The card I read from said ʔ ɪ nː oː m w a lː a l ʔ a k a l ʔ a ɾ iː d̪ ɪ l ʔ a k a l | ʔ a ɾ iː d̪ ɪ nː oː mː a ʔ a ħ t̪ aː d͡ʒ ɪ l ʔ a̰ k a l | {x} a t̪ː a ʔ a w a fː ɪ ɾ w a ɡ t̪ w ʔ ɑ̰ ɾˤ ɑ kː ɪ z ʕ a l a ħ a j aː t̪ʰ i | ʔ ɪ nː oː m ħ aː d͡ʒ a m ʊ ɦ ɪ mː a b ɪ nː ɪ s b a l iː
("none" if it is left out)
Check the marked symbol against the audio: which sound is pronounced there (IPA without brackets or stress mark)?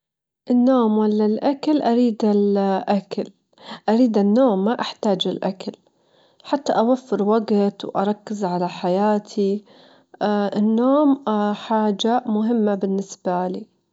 ħ